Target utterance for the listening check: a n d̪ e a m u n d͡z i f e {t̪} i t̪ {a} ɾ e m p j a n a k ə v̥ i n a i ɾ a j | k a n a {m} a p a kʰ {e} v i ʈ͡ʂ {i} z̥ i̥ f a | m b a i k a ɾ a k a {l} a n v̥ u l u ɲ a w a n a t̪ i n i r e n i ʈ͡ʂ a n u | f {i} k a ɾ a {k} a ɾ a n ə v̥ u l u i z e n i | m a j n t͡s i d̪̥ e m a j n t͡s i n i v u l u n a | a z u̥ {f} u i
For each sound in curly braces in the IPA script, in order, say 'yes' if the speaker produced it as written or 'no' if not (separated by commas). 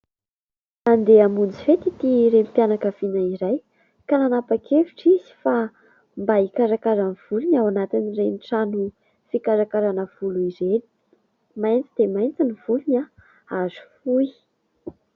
yes, no, no, yes, yes, no, yes, yes, yes